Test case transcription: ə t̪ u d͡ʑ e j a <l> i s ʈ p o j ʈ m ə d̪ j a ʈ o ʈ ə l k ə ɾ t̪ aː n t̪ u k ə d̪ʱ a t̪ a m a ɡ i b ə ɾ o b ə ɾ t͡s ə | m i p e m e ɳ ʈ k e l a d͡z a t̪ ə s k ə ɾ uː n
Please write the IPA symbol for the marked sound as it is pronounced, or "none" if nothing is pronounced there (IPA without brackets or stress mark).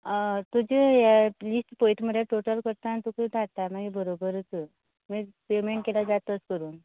l